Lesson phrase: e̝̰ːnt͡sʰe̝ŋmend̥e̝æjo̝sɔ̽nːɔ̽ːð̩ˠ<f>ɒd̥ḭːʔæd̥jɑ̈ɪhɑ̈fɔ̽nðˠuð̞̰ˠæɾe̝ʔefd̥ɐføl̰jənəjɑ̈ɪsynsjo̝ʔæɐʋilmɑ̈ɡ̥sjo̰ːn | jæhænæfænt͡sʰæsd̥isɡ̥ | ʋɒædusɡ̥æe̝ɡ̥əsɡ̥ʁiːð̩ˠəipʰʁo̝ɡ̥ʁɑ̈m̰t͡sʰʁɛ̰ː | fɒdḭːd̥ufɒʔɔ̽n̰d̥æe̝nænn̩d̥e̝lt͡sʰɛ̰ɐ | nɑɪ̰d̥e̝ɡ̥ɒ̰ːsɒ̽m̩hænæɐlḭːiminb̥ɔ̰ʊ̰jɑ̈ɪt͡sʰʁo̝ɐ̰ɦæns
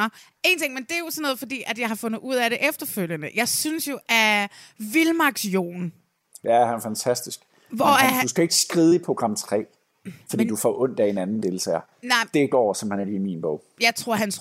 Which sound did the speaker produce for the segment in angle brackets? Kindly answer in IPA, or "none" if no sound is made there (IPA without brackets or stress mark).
f